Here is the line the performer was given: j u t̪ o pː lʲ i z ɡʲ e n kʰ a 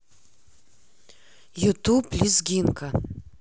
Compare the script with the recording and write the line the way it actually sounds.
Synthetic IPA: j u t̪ u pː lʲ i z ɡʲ i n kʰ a